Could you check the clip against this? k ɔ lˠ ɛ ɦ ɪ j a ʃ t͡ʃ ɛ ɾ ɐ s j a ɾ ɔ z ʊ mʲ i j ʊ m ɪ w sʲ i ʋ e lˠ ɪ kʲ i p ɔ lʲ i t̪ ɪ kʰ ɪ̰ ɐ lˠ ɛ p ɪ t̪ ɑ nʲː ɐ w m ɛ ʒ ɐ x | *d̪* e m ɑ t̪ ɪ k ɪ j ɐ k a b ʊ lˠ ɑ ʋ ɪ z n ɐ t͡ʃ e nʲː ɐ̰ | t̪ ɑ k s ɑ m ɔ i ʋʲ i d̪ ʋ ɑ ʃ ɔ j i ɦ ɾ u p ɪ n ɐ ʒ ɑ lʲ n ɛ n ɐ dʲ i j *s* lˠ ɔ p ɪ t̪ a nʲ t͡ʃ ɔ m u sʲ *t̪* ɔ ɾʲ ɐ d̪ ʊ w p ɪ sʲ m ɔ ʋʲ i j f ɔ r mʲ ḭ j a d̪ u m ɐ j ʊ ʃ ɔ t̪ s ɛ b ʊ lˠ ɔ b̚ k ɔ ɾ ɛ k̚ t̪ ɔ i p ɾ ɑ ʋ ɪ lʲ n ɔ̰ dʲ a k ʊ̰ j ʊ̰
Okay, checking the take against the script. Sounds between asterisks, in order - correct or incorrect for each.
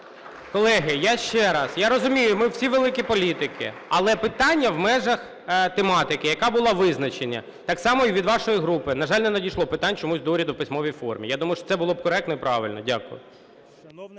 incorrect, incorrect, incorrect

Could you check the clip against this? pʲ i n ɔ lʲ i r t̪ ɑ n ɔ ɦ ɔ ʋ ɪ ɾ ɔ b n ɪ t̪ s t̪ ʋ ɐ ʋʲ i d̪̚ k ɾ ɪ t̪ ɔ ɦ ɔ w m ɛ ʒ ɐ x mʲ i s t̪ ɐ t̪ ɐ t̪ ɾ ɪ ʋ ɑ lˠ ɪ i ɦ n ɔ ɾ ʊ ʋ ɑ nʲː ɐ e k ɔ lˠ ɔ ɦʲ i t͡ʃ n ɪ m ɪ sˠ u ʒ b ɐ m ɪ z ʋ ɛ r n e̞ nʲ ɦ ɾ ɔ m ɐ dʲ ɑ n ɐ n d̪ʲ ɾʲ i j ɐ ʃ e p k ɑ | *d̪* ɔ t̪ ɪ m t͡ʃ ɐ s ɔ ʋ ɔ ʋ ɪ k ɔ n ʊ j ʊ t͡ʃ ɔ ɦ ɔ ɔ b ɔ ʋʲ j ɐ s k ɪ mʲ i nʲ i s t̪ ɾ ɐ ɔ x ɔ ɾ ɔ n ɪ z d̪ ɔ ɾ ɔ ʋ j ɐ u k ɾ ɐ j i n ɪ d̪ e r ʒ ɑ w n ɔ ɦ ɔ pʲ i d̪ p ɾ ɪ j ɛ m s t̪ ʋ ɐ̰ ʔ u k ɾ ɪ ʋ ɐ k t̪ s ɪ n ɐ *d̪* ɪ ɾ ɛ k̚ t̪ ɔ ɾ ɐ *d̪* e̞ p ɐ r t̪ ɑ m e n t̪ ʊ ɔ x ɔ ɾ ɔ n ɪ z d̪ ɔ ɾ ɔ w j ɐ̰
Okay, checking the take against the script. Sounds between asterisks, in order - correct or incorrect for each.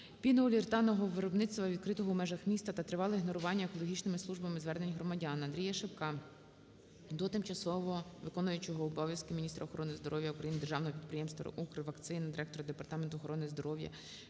correct, correct, correct

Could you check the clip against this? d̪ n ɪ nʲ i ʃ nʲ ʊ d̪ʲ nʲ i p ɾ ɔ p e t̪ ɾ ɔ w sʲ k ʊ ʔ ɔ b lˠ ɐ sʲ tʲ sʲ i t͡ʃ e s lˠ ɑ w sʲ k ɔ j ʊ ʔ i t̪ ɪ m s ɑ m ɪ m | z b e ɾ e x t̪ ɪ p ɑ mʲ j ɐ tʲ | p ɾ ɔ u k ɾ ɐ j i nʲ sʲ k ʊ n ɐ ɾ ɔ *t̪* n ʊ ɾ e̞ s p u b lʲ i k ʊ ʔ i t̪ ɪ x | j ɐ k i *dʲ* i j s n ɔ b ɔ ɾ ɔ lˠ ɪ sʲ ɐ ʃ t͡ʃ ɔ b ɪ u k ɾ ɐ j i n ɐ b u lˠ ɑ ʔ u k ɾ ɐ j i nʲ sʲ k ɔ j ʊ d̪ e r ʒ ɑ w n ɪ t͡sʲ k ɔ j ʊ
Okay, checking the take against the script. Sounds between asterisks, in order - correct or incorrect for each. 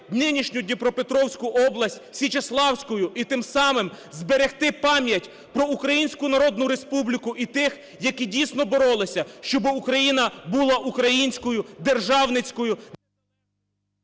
incorrect, correct

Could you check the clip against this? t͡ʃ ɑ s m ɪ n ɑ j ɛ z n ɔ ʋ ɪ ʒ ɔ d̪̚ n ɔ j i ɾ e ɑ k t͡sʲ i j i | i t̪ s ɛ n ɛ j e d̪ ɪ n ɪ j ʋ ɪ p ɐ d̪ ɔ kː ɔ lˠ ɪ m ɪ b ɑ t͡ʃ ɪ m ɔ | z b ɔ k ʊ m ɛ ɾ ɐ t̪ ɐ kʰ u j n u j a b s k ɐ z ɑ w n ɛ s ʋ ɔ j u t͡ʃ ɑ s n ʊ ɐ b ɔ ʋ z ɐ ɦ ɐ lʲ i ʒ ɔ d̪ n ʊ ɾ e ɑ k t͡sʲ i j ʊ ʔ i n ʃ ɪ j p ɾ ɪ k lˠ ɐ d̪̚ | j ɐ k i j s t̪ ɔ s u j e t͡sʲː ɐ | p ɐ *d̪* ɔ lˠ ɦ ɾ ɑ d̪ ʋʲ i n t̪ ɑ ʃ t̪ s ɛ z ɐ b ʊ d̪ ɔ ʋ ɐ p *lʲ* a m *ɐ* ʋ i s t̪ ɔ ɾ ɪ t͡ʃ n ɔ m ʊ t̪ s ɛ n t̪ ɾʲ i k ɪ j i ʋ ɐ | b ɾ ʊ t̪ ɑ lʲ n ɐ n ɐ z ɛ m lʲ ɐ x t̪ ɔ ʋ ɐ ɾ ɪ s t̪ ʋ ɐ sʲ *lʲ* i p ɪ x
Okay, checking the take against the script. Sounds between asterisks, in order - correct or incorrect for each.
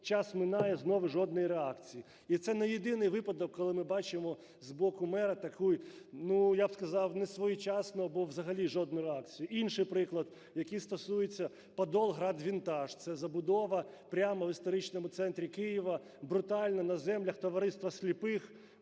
correct, incorrect, correct, correct

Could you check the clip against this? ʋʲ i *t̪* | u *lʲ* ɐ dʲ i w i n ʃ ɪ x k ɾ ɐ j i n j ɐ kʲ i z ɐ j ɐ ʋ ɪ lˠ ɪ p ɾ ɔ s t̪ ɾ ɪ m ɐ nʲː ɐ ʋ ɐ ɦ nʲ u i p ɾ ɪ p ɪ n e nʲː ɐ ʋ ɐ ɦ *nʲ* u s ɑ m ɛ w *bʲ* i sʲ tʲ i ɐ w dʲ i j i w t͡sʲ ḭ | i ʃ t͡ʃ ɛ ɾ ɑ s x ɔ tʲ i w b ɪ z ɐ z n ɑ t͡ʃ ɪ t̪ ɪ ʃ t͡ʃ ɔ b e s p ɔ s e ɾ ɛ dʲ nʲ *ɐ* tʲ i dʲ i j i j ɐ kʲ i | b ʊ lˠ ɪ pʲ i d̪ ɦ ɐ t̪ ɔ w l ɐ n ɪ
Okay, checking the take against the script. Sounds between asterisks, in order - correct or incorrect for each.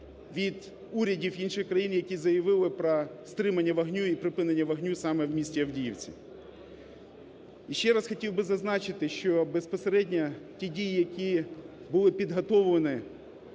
incorrect, incorrect, correct, incorrect, correct

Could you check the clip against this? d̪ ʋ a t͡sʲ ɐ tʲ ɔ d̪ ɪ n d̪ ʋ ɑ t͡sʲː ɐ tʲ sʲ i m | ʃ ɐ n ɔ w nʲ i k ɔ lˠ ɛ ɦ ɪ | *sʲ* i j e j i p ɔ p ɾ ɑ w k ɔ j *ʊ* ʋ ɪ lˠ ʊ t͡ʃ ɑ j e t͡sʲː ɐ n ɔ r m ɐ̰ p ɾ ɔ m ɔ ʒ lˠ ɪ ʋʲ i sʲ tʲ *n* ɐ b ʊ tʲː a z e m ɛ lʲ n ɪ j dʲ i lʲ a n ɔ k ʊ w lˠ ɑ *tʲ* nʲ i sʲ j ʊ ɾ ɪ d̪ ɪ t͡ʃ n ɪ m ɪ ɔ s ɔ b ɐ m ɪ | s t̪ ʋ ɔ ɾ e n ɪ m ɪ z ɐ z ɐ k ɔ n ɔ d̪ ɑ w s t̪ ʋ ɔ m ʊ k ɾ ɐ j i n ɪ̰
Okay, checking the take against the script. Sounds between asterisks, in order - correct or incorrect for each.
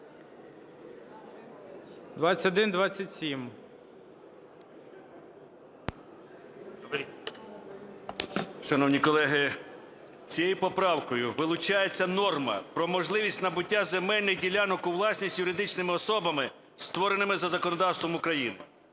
incorrect, correct, correct, incorrect

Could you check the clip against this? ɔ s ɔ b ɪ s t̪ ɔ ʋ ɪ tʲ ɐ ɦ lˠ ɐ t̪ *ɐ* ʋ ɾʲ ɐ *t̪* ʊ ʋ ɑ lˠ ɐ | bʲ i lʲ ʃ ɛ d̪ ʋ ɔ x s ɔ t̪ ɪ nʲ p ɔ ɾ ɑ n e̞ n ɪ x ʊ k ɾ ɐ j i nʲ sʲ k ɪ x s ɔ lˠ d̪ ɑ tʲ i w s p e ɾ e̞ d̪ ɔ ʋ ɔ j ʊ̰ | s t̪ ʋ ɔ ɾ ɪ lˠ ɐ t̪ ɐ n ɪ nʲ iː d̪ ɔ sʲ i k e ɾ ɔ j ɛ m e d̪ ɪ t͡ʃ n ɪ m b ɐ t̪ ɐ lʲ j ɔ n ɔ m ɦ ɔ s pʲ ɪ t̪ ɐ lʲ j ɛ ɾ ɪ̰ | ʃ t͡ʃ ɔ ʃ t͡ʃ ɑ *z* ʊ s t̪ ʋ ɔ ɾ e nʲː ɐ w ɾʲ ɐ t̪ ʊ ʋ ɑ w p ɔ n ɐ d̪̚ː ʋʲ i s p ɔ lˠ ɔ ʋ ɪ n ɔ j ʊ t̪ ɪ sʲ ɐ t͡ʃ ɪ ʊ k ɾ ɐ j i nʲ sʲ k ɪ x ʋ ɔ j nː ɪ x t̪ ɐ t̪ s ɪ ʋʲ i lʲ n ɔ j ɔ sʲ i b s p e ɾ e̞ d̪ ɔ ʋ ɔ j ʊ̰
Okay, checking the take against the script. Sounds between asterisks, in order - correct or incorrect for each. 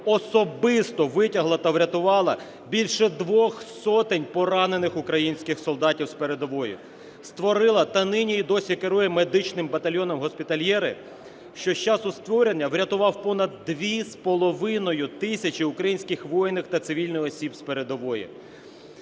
correct, correct, incorrect

